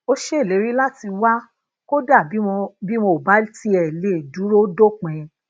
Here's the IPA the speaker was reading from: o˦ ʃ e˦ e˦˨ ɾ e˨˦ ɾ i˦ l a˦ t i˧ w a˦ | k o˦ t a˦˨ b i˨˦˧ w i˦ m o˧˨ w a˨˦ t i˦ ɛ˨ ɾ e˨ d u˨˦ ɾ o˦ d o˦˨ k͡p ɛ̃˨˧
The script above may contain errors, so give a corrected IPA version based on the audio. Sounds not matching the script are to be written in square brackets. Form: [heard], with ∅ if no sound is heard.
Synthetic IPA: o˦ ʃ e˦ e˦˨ [l] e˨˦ ɾ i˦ l a˦ t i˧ w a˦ | k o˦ [d] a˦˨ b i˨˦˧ [b] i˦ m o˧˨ [b] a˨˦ t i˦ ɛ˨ [l] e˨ d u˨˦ ɾ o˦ d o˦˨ k͡p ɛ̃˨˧